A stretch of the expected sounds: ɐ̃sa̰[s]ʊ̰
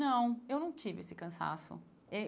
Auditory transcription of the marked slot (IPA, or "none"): s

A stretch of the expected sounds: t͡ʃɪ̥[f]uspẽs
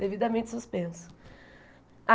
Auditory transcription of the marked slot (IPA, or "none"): s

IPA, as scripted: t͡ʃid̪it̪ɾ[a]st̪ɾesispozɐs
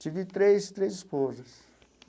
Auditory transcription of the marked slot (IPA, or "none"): e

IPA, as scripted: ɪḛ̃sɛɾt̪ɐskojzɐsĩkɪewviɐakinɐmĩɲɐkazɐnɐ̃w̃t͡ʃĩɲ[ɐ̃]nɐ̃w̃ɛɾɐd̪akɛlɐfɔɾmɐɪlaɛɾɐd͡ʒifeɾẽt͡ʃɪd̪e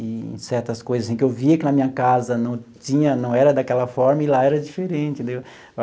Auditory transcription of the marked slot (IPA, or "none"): ɐ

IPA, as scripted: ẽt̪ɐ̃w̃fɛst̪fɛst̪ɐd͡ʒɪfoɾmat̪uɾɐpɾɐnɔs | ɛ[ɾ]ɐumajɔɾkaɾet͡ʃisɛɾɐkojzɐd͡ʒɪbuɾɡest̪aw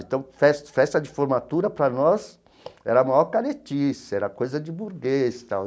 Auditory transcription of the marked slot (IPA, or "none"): ɾ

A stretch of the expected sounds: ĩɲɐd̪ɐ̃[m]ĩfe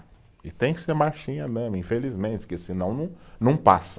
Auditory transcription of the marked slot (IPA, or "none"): m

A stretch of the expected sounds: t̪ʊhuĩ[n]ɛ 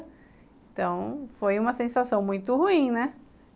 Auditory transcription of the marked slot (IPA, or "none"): n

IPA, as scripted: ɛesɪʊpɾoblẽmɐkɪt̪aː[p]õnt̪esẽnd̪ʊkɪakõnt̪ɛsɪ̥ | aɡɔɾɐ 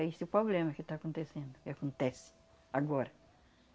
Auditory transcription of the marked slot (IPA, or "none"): k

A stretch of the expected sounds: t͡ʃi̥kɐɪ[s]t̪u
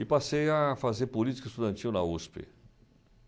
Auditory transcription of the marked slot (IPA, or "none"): s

